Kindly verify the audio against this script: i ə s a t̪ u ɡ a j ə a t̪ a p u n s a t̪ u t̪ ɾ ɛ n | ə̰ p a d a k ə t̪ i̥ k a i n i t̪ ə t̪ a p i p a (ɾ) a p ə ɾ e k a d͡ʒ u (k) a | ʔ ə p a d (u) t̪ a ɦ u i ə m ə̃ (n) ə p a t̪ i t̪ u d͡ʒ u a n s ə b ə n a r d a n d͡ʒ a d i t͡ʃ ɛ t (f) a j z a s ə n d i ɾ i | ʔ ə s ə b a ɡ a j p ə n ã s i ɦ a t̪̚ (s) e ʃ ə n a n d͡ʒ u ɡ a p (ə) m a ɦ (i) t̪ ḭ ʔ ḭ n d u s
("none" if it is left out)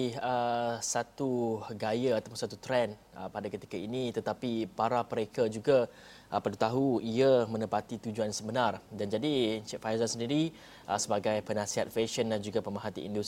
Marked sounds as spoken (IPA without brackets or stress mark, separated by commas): ɾ, ɡ, u, n, f, f, ə, a